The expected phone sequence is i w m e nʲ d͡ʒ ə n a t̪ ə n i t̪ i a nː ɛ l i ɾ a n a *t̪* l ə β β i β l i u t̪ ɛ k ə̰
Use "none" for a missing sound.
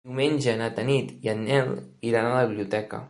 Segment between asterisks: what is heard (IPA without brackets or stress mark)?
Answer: none